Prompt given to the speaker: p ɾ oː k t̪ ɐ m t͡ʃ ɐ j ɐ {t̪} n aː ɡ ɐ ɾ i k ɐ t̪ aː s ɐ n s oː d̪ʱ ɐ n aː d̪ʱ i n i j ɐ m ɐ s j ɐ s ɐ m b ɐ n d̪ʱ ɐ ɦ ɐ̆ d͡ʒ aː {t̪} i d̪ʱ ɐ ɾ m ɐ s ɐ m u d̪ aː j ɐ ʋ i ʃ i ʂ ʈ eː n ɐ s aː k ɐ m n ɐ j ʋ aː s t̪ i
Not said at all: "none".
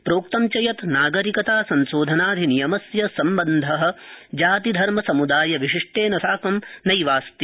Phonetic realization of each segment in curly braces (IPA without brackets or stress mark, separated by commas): t̪, t̪